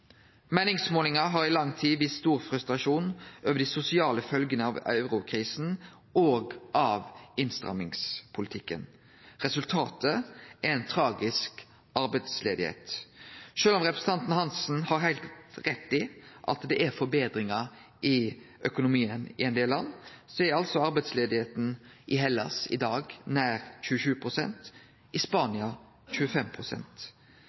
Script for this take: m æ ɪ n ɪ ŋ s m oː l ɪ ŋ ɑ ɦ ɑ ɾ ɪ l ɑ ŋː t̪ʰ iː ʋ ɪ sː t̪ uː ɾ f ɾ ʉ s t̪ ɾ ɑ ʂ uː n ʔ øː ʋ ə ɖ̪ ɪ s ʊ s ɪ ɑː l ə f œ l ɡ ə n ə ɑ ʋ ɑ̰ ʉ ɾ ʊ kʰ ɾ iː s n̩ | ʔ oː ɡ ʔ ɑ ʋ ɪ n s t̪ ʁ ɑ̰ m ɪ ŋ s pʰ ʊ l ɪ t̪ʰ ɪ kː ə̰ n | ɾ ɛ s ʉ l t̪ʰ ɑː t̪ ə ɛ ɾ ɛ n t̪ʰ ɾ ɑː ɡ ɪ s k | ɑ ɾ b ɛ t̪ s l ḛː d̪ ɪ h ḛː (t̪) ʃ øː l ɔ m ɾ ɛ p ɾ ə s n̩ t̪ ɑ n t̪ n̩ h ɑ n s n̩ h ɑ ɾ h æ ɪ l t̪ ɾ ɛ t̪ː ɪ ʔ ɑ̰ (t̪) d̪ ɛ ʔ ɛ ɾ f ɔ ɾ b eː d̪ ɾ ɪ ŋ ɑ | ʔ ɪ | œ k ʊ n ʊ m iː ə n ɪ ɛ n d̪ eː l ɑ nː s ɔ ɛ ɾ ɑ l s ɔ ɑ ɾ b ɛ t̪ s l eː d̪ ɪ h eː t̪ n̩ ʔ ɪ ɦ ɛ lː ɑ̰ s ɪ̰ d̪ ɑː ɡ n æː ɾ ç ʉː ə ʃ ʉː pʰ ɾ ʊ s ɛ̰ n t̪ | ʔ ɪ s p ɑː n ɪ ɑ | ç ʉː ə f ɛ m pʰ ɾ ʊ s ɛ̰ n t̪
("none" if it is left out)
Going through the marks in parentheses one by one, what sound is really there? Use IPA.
t̪, t̪

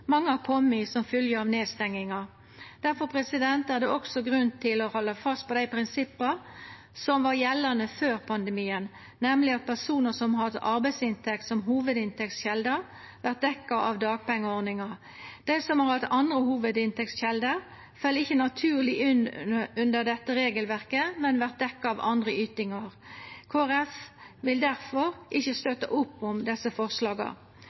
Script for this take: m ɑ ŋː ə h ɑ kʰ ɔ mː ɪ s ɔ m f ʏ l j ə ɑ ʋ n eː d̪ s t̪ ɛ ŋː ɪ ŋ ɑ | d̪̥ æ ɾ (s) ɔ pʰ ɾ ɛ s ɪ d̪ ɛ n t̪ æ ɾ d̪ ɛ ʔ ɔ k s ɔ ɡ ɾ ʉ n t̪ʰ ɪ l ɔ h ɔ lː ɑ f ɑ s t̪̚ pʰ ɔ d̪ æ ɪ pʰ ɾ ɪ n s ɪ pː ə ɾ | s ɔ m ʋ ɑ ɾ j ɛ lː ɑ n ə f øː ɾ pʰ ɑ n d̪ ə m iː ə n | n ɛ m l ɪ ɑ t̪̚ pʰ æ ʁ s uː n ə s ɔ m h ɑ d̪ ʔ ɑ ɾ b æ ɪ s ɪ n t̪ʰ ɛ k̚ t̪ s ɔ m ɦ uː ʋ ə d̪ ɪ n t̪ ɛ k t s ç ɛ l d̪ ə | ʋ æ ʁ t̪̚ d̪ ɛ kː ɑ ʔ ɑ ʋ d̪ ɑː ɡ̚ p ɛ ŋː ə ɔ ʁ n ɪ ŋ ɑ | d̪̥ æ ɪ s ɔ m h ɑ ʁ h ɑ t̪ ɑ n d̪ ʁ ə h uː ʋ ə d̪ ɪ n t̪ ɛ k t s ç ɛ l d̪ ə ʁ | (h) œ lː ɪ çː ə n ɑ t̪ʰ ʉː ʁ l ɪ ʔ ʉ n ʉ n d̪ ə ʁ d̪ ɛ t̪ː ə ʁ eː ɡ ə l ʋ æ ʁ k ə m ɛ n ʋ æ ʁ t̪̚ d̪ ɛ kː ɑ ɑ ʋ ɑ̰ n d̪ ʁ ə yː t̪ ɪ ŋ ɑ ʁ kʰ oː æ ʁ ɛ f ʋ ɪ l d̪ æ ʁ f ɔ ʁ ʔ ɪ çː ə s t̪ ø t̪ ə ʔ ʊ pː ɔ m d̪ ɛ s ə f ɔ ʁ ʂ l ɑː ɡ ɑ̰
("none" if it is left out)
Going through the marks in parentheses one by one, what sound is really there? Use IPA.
f, f

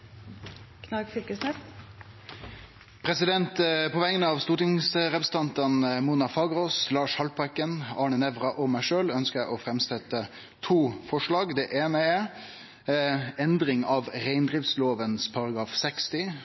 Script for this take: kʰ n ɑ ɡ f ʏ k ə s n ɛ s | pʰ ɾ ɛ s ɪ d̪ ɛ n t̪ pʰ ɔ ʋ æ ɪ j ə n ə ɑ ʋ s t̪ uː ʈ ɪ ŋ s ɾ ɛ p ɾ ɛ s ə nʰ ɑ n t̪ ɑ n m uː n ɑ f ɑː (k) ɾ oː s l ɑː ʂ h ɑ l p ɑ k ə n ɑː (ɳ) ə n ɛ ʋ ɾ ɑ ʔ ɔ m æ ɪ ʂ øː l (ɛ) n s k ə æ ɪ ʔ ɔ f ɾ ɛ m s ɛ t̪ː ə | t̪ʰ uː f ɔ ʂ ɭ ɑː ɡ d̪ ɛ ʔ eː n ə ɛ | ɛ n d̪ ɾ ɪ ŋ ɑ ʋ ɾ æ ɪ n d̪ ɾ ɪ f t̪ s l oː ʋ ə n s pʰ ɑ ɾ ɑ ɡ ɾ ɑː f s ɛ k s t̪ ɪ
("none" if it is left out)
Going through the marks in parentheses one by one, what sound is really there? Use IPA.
ɡ, ɳ, œ

